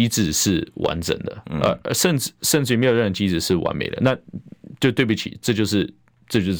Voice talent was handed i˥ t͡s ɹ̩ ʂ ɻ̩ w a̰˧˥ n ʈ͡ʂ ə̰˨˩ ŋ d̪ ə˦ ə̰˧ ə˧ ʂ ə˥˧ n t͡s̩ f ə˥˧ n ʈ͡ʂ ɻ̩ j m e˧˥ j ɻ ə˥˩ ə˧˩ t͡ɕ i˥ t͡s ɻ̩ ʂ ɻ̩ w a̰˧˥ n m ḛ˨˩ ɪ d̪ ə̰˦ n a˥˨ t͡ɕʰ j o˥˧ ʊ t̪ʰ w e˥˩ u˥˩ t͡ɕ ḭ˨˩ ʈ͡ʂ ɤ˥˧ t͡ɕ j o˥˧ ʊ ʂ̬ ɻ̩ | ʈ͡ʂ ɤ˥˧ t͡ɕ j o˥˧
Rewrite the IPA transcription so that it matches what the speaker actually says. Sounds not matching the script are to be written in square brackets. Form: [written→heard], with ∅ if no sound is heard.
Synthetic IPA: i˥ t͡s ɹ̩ ʂ ɻ̩ w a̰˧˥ n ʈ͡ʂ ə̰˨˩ ŋ d̪ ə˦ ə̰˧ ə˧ ʂ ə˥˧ n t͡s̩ [f→ʂ] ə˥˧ n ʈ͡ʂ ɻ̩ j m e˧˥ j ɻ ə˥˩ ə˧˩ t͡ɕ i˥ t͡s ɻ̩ ʂ ɻ̩ w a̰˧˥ n m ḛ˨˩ ɪ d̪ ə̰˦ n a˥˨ [t͡ɕʰ→t͡ɕ] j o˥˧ ʊ [t̪ʰ→t̪] w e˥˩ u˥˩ [t͡ɕ→t͡ɕʰ] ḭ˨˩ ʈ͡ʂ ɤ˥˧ t͡ɕ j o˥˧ ʊ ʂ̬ ɻ̩ | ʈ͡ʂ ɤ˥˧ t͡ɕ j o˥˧